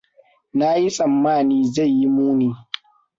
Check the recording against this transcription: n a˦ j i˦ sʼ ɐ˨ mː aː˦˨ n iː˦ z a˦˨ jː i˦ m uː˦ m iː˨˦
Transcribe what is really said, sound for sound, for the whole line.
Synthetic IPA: n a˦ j i˦ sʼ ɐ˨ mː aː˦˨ n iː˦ z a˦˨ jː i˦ m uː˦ n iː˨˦